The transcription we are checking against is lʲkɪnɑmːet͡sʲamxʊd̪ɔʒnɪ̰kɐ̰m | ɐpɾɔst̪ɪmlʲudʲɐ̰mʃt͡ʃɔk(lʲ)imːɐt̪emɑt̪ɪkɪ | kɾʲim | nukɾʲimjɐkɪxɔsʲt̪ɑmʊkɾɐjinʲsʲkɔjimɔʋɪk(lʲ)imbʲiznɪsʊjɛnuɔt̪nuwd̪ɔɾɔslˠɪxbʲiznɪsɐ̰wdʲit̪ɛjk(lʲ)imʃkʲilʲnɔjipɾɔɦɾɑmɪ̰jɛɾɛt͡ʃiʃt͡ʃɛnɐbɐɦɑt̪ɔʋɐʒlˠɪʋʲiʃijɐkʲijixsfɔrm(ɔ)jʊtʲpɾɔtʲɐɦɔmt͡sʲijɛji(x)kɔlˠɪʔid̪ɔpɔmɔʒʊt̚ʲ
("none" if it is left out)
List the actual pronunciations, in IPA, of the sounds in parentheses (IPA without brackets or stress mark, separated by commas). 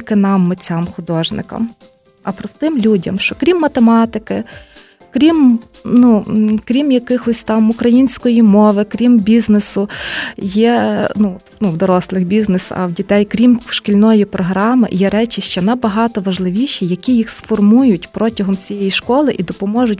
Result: ɾʲ, ɾʲ, ɾʲ, u, ʃ